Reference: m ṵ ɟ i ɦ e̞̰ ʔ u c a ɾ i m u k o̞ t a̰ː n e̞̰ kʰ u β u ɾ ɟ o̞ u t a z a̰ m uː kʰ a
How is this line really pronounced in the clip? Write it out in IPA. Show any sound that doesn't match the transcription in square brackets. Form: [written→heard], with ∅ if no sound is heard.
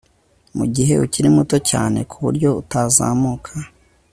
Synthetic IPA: m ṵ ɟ i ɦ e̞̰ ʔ u c [a→i] ɾ i m u [k→t] o̞ [t→c] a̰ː n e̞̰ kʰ u β u ɾ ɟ o̞ u t a z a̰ m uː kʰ a

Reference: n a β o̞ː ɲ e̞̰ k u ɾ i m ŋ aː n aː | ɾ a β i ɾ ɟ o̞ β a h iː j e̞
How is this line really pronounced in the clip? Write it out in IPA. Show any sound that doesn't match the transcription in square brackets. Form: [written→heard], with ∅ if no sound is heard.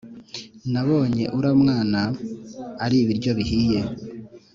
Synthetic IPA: n a β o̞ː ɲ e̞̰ [k→ʔ] u ɾ [i→a] m ŋ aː n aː | ɾ [a→i] β i ɾ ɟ o̞ β [a→i] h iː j e̞

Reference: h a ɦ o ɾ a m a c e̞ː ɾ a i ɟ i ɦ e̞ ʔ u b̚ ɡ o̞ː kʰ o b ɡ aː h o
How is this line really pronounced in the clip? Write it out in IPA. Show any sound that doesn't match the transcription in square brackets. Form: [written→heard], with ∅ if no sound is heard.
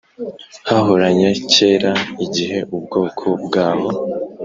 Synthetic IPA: h a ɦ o ɾ a [m→ɲ] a c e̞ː ɾ a i ɟ i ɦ e̞ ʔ u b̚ ɡ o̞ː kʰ o b ɡ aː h o

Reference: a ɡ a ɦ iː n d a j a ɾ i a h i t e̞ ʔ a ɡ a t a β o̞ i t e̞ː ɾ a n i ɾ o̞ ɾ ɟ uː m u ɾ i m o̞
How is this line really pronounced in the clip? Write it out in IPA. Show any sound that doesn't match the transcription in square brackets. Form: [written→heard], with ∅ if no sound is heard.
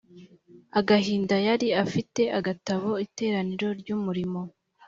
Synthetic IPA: a ɡ a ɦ iː n d a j a ɾ i a [h→f] i t e̞ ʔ a ɡ a t a β o̞ i t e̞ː ɾ a n i ɾ o̞ ɾ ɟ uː m u ɾ i m o̞

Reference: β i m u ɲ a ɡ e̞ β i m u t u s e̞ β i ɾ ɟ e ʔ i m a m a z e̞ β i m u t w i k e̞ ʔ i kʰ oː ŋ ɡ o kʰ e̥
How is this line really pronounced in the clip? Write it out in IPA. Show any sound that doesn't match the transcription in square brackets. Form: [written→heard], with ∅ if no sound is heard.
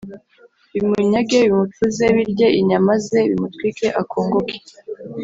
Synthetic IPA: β i m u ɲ a ɡ e̞ β i m u t u [s→z] e̞ β i ɾ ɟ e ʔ i [m→ɲ] a m a z e̞ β i m u t w i k e̞ ʔ [i→a] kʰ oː ŋ ɡ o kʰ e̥

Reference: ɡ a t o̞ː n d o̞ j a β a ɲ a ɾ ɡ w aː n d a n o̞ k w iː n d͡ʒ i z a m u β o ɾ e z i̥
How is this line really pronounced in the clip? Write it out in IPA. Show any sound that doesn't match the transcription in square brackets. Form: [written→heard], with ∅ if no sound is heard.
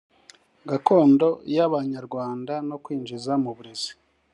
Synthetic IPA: ɡ a [t→k] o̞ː n d o̞ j a β a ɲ a ɾ ɡ w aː n d a n o̞ k w iː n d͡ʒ i z a m u β [o→u] ɾ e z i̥

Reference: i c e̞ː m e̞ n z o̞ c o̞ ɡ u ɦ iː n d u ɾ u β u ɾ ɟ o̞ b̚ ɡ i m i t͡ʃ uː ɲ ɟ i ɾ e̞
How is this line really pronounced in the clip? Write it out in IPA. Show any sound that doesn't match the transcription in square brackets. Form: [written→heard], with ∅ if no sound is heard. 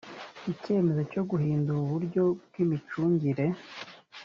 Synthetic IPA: i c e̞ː m e̞ [n→∅] z o̞ c o̞ ɡ u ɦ iː n d u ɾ u β u ɾ ɟ o̞ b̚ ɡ i m i t͡ʃ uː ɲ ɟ i ɾ e̞

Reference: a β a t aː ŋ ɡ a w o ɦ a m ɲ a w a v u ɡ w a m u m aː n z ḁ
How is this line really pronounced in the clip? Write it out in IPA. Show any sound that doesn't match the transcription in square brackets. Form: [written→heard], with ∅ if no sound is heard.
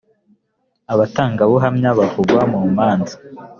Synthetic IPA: a β a t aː ŋ ɡ a [w→β] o ɦ a m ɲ a [w→β] a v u ɡ w a m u m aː n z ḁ

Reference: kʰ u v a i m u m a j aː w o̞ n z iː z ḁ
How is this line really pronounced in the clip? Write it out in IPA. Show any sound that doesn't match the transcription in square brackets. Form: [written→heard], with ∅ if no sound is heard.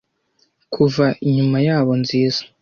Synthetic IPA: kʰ u v a i [m→ɲ] u m a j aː [w→β] o̞ n z iː z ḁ

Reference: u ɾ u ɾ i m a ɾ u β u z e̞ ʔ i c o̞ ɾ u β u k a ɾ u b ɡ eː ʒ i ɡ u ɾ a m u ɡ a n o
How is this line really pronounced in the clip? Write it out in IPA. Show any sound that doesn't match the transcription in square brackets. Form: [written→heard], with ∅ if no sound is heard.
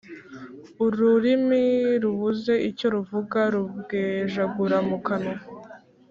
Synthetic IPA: u ɾ u ɾ i m [a→i] ɾ u β u z e̞ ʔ i c o̞ ɾ u [β→v] u [k→ɡ] a ɾ u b ɡ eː ʒ [i→a] ɡ u ɾ a m u [ɡ→k] a n o

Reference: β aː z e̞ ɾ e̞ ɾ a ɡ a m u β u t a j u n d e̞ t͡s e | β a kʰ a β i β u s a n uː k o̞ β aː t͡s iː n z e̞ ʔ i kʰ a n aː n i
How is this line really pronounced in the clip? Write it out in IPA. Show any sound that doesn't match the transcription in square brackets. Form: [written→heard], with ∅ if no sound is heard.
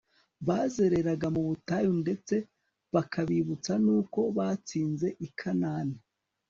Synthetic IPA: β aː z e̞ ɾ e̞ ɾ a ɡ a m u β u t a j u n d e̞ t͡s e | β a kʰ a β i β u [s→t͡s] a n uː k o̞ β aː t͡s iː n z e̞ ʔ i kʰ a n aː n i

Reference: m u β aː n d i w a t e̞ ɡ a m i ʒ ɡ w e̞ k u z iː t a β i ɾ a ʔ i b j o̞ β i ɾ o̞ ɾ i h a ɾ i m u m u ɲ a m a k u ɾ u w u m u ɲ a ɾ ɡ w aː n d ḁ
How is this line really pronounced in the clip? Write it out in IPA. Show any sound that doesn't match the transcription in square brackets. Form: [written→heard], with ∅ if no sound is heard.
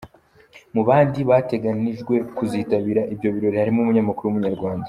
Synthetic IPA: m u β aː n d i [w→β] a t e̞ ɡ a [m→n] i ʒ ɡ w e̞ k u z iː t a β i ɾ a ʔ i b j o̞ β i ɾ o̞ ɾ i h a ɾ i m u m u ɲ a m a k u ɾ u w u m u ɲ a ɾ ɡ w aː n d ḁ

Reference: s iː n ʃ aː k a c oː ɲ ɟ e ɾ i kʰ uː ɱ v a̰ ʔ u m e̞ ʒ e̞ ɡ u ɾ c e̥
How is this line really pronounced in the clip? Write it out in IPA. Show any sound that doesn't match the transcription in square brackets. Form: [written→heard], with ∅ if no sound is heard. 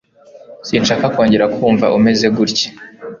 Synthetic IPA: s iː n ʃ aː k a [c→k] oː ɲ ɟ e ɾ [i→a] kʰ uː ɱ v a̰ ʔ u m e̞ [ʒ→z] e̞ ɡ u ɾ c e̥

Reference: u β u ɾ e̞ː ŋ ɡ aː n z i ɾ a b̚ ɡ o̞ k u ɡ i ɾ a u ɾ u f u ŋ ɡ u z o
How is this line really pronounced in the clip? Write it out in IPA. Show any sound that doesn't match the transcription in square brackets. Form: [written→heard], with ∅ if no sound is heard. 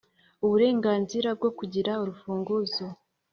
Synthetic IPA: u β u ɾ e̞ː ŋ ɡ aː n z i ɾ a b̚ ɡ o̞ k u [ɡ→ɟ] i ɾ a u ɾ u f [u→uː] ŋ ɡ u z o

